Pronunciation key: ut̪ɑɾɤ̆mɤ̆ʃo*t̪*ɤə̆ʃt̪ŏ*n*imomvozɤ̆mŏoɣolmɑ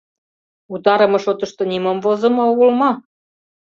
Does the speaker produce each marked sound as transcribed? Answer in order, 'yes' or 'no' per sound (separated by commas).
yes, yes